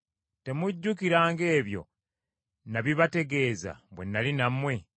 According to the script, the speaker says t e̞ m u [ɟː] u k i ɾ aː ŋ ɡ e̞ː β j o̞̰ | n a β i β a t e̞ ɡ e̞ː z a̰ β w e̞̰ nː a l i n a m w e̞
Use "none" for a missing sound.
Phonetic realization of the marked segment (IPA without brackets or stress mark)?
ɟː